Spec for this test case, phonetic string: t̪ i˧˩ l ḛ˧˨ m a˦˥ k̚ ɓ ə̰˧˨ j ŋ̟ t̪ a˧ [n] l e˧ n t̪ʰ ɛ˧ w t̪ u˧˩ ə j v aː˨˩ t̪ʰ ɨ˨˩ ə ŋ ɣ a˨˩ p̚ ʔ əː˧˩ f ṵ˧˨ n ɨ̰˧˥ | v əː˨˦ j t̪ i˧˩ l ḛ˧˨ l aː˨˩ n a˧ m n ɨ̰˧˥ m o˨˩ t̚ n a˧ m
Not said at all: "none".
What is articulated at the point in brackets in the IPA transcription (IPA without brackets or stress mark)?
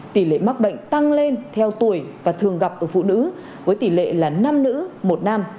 ŋ